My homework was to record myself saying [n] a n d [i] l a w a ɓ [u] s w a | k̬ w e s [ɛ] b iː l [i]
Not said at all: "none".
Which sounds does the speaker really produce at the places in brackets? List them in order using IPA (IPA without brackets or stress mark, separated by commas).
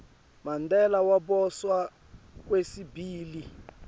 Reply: m, ɛ, ɔ, i, i